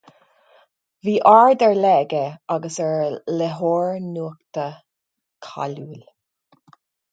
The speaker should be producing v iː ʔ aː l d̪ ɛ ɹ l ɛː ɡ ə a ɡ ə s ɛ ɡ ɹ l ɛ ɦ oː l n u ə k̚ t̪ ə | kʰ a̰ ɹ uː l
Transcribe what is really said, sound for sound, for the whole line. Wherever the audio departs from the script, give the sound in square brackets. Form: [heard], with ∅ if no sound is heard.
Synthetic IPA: v iː ʔ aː [ɹ] d̪ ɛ ɹ l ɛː ɡ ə a ɡ ə s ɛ [∅] ɹ l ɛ ɦ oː [ɹ] n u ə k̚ t̪ ə | kʰ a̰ [l] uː l